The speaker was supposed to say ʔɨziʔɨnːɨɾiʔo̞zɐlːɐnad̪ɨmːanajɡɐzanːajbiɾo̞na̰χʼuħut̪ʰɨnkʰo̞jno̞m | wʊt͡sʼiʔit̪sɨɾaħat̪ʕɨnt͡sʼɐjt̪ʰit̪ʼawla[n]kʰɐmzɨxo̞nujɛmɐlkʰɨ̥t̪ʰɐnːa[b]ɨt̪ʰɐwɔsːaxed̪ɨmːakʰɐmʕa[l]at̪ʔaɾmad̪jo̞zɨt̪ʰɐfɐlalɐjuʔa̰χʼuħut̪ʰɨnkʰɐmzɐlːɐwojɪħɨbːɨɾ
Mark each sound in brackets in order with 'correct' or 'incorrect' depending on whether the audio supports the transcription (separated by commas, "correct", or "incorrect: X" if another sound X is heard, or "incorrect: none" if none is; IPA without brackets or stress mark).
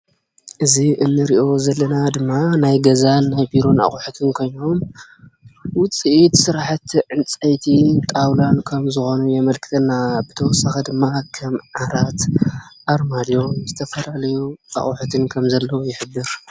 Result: correct, correct, incorrect: ɾ